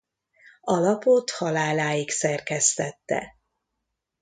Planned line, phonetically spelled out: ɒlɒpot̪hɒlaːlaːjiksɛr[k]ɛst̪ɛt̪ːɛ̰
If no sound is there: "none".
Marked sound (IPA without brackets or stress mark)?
k